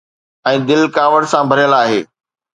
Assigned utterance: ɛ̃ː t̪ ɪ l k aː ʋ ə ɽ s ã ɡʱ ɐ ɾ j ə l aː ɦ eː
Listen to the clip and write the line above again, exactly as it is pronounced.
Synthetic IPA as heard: ɛ̃ː d̪ ɪ l k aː ʋ ə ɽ s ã bʱ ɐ ɾ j ə l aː ɦ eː